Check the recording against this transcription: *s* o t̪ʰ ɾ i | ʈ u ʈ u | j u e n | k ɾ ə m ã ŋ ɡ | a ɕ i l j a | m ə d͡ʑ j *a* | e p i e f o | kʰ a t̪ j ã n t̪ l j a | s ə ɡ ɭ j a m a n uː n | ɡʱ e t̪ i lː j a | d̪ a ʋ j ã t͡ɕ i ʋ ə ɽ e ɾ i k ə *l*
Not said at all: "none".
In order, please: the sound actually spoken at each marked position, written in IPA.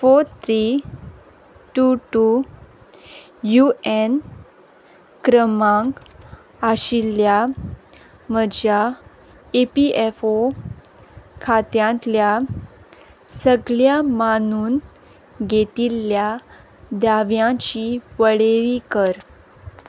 f, a, ɾ

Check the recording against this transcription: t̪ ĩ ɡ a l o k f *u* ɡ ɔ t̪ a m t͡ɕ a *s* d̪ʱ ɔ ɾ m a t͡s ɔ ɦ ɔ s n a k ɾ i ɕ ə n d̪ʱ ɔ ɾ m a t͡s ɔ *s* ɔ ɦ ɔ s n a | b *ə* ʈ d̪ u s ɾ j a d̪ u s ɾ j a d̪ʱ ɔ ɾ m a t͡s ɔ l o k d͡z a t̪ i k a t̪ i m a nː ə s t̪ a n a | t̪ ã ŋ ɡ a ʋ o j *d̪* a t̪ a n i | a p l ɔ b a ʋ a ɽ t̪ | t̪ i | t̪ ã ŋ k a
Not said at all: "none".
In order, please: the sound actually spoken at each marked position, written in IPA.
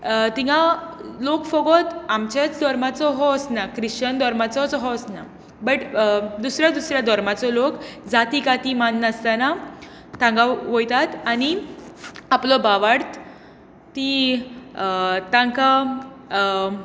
ɔ, t͡s, t͡s, ə, t̪

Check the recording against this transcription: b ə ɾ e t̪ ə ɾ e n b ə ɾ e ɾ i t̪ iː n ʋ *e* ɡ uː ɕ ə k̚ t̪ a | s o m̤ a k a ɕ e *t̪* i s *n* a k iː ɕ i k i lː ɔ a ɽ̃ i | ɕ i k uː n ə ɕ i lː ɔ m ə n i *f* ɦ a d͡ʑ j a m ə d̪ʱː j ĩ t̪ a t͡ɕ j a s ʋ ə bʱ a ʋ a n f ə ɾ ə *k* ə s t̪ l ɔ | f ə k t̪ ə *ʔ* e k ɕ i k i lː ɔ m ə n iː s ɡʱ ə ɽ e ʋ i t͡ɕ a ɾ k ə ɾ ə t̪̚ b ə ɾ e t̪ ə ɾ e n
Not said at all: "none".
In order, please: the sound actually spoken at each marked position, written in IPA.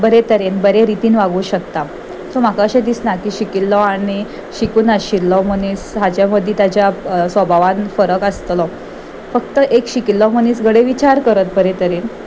a, d̪, n, s, k, ʔ

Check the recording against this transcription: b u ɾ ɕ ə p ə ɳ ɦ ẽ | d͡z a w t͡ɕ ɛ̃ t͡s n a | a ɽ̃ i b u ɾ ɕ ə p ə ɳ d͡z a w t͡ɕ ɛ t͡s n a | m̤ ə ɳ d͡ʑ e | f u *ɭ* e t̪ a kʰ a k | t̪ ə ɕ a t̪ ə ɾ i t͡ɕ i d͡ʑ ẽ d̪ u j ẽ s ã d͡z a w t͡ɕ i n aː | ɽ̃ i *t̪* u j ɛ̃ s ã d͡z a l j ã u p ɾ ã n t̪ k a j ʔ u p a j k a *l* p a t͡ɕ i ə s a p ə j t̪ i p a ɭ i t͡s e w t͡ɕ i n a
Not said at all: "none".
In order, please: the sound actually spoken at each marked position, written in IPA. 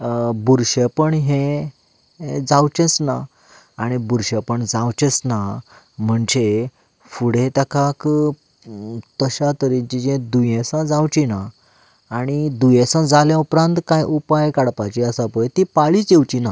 ɽ, d̪, ɽ

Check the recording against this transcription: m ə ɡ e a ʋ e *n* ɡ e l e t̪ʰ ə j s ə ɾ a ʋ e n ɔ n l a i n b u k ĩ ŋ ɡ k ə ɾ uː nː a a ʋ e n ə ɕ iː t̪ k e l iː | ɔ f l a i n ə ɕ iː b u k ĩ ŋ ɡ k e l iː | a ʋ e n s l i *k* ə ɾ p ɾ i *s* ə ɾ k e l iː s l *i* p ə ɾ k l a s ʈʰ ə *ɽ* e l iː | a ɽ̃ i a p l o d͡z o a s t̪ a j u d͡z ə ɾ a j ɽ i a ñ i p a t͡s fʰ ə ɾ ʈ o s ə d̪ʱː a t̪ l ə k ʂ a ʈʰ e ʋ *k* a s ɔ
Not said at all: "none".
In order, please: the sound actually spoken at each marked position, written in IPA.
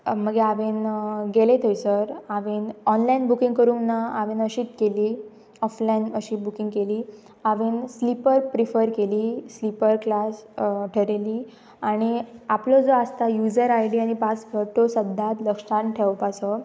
n, p, f, i, ɾ, p

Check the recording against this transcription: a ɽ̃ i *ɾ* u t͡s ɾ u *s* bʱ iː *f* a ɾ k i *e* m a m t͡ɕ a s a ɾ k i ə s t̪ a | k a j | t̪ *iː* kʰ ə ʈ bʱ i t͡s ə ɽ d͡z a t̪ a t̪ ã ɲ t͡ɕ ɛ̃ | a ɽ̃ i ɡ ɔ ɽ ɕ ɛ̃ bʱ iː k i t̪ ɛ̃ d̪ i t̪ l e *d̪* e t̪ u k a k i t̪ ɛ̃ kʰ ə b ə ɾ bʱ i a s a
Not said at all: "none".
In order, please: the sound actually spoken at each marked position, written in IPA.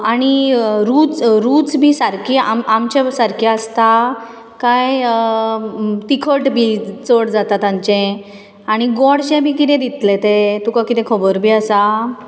ɾ, t͡s, s, a, i, t̪

